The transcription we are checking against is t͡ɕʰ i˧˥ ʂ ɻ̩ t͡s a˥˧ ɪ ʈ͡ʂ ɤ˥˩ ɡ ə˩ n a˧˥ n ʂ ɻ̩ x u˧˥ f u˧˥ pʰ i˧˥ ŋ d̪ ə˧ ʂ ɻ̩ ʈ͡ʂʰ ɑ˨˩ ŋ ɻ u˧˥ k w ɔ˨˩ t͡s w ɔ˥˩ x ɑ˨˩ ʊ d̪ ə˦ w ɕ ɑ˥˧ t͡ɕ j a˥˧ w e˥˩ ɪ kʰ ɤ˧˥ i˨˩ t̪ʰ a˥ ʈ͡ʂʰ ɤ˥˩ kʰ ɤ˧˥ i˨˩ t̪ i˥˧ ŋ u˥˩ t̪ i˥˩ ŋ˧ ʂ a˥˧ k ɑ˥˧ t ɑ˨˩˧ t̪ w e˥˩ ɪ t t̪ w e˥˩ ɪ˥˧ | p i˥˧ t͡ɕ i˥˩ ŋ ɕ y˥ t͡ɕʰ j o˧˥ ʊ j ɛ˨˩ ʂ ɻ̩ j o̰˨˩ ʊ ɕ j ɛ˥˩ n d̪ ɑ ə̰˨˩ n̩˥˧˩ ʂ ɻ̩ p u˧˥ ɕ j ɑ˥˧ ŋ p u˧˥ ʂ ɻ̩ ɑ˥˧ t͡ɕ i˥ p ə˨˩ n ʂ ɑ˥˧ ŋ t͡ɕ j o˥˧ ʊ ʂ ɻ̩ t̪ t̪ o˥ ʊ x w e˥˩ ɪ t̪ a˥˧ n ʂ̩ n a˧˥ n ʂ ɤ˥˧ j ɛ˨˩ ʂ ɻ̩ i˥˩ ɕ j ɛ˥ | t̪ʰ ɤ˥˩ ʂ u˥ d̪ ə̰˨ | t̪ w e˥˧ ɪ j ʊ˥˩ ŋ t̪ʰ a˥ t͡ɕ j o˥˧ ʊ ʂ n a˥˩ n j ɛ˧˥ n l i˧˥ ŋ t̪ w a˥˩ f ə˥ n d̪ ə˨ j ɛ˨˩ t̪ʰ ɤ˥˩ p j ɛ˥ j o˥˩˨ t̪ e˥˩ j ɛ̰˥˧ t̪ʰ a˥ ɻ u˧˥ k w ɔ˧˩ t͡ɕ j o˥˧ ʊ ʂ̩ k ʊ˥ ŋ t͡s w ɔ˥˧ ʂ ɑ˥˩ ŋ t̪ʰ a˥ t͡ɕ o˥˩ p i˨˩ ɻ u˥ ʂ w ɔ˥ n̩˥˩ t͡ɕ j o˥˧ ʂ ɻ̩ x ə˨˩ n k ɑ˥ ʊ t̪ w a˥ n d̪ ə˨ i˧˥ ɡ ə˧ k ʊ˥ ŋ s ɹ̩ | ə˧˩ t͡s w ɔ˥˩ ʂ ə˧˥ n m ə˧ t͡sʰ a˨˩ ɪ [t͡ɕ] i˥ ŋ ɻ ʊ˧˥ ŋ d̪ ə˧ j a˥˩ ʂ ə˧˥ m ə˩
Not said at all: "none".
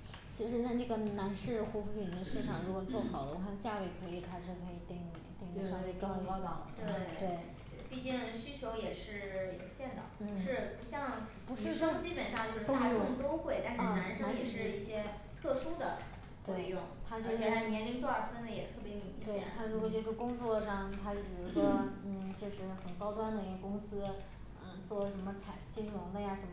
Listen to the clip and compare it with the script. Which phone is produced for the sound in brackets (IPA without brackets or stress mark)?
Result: t͡ɕ